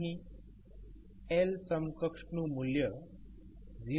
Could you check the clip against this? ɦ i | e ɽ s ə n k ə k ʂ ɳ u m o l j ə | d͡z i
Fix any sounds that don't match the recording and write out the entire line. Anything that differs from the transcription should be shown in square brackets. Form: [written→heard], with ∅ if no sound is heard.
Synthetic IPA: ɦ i | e [ɽ→l] s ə [n→m] k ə k ʂ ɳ u m [o→u] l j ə | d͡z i